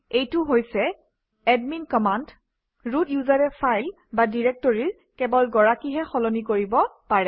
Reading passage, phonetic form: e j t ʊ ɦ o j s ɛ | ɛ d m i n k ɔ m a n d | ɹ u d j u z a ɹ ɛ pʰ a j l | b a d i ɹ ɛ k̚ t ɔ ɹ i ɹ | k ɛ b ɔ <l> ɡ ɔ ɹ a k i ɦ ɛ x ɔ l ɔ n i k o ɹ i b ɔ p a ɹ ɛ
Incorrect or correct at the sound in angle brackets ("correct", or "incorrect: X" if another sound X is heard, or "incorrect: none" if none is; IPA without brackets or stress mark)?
correct